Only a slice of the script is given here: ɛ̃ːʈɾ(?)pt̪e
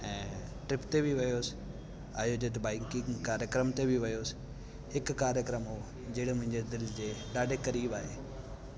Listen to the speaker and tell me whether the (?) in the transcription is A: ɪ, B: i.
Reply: A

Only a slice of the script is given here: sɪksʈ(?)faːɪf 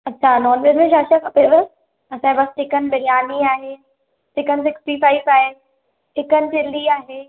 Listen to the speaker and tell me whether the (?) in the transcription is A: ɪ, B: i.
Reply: B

